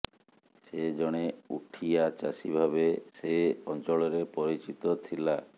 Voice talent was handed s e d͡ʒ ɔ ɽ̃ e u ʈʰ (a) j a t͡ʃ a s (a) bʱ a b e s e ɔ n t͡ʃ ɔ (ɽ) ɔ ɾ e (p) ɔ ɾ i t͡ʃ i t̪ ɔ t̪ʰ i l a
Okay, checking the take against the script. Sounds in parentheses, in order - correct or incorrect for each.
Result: incorrect: i, incorrect: i, incorrect: ɭ, correct

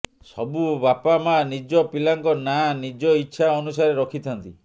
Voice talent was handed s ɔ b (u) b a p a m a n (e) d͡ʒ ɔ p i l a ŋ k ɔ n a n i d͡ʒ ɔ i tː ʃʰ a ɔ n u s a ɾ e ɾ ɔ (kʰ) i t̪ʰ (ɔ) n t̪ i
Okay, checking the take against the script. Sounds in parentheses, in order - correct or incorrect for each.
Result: correct, incorrect: i, correct, correct

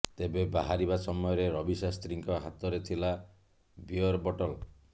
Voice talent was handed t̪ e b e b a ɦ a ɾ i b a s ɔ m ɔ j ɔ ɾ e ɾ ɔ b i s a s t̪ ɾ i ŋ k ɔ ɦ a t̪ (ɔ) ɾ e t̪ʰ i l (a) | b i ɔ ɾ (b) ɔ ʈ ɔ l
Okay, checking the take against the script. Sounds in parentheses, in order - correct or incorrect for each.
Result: correct, correct, correct

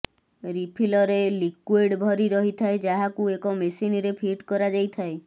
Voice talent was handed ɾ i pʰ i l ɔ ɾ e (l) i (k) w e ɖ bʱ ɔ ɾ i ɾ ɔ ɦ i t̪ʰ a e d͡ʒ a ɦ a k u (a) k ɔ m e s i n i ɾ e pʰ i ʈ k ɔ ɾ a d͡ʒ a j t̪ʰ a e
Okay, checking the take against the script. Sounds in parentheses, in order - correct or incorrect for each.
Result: correct, correct, incorrect: e

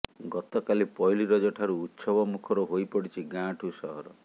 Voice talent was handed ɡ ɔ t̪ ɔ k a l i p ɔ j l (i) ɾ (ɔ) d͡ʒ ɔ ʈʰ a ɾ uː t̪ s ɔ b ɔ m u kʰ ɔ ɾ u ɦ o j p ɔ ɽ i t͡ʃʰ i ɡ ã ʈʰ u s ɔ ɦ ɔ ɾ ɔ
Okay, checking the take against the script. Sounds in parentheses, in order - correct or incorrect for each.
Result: correct, correct

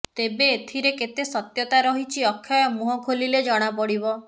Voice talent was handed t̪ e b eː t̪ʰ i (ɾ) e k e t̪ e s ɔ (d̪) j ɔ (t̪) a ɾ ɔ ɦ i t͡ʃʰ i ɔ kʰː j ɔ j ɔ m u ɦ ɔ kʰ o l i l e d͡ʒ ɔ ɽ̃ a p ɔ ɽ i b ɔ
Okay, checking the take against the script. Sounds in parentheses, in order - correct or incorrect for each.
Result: correct, incorrect: t̪, correct

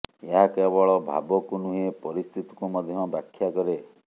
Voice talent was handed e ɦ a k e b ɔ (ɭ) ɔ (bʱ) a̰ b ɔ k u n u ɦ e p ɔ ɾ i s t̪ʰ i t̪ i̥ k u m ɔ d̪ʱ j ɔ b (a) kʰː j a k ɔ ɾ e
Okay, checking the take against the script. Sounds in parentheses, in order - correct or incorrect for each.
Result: correct, correct, correct

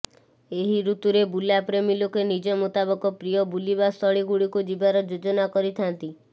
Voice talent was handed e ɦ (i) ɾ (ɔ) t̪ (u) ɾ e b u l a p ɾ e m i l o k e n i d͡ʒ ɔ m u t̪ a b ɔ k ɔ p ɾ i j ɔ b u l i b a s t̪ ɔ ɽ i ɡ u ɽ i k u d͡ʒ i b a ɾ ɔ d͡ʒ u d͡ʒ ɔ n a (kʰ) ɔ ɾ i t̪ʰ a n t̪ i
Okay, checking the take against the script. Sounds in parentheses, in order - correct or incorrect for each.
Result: correct, incorrect: u, correct, incorrect: k

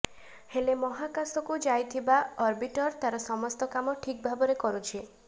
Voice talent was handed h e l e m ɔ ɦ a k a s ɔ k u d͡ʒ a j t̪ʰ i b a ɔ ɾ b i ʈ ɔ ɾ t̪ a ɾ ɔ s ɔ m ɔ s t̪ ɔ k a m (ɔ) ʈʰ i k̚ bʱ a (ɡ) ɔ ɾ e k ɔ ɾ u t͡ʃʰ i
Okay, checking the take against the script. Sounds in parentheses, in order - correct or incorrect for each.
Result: correct, incorrect: b

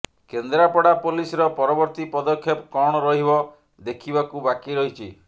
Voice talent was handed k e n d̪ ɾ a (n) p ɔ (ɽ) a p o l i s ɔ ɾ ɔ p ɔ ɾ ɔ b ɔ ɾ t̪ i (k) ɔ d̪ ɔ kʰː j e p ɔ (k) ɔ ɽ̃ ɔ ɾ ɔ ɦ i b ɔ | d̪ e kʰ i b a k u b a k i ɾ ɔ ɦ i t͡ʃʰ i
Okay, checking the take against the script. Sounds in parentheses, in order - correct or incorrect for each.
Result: incorrect: none, correct, incorrect: p, correct

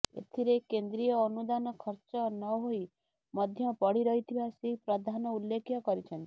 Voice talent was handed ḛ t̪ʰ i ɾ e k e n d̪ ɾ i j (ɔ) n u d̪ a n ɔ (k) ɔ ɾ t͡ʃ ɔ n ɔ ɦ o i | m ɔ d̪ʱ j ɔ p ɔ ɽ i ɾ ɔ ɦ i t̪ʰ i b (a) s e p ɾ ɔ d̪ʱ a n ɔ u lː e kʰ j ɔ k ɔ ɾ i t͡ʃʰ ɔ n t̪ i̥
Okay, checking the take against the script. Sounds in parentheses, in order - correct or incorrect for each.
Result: incorrect: ɔː, incorrect: kʰ, correct

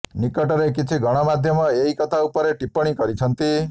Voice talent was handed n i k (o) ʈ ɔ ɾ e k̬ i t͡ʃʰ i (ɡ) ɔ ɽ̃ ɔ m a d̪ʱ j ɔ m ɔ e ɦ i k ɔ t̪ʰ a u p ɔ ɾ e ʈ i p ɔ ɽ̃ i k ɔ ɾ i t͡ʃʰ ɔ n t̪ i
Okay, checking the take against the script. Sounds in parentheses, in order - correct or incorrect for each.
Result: incorrect: ɔ, correct

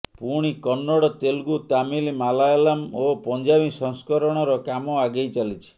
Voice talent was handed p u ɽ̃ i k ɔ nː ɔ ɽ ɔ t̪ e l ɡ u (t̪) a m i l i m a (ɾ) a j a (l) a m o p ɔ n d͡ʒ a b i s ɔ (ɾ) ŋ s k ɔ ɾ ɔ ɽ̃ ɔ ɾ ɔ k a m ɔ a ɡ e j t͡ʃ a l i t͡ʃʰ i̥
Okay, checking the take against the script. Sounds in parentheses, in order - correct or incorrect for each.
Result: correct, incorrect: l, correct, incorrect: none

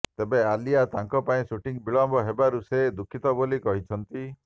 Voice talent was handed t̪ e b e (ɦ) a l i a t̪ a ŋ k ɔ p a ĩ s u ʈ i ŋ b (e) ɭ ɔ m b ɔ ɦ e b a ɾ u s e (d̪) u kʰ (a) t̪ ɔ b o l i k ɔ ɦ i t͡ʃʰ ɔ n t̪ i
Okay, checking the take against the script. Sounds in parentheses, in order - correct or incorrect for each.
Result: incorrect: none, incorrect: i, correct, incorrect: i

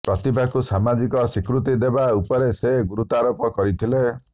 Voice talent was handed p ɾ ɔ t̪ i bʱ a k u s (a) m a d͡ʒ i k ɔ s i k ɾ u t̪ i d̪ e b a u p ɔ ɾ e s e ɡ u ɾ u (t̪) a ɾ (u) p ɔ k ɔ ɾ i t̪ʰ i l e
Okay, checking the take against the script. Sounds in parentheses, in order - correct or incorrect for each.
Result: correct, correct, incorrect: o

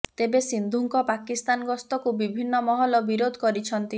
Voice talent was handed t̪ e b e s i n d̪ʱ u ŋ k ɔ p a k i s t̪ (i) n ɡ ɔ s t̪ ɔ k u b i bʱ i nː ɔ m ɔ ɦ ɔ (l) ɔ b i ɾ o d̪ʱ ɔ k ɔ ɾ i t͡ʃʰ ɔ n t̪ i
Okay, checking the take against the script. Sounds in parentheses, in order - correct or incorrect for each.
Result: incorrect: a, correct

